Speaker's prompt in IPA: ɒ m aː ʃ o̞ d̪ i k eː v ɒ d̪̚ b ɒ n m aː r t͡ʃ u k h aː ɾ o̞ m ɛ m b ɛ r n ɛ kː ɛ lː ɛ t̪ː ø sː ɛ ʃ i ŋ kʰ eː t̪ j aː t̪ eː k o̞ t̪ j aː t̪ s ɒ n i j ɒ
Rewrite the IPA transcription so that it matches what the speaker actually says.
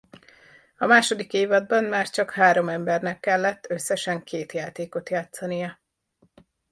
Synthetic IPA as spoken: ɒ m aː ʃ o̞ d̪ i k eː v ɒ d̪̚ b ɒ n m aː r t͡ʃ ɒ k h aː ɾ o̞ m ɛ m b ɛ r n ɛ kː ɛ lː ɛ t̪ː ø sː ɛ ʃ ɛ ŋ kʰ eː t̪ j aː t̪ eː k o̞ t̪ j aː t̪ s ɒ n i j ɒ